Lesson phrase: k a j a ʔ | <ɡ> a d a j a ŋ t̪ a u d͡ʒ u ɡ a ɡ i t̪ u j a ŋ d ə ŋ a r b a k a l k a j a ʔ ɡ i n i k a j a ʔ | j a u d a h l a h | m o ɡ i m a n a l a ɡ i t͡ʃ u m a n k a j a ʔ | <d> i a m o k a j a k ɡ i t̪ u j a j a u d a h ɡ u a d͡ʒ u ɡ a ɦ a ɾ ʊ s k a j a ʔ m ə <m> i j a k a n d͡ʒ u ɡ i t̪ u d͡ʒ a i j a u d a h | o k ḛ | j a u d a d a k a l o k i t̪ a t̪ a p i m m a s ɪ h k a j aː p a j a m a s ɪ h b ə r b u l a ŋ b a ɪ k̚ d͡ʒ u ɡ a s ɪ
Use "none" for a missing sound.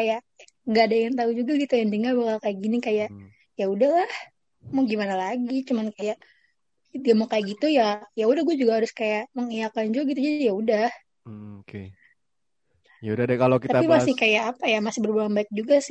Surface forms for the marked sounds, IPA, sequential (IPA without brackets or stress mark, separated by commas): ɡ, d, ŋ